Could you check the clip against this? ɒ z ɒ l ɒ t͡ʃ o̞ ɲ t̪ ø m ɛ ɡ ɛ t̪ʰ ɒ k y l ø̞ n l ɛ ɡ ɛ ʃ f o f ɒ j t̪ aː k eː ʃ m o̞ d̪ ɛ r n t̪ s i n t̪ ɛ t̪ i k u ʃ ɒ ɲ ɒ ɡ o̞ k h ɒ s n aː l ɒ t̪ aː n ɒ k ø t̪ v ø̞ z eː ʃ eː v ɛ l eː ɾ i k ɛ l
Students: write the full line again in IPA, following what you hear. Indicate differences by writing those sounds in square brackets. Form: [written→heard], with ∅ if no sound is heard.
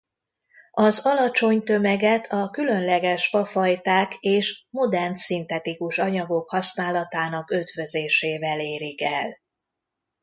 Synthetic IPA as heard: ɒ z ɒ l ɒ t͡ʃ o̞ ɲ t̪ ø m ɛ ɡ ɛ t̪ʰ ɒ k y l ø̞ n l ɛ ɡ ɛ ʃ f [o→ɒ] f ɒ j t̪ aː k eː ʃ m o̞ d̪ ɛ r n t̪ s i n t̪ ɛ t̪ i k u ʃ ɒ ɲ ɒ ɡ o̞ k h ɒ s n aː l ɒ t̪ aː n ɒ k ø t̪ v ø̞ z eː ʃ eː v ɛ l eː ɾ i k ɛ l